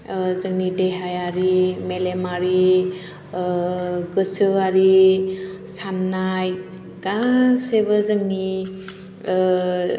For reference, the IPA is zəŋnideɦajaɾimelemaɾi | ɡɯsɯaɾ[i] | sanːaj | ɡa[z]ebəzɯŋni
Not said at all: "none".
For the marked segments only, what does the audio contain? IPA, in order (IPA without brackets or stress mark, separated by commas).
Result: i, s